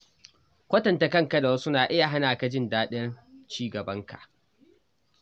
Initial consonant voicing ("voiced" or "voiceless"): voiceless